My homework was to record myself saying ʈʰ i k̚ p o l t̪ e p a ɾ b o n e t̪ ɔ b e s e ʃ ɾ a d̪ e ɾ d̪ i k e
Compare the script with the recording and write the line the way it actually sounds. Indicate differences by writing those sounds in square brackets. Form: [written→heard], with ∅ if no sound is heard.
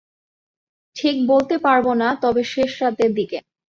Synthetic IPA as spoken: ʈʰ i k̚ [p→b] o l t̪ e p a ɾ b o n [e→a] t̪ ɔ b e [s→ʃ] e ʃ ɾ a [d̪→t̪] e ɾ d̪ i k e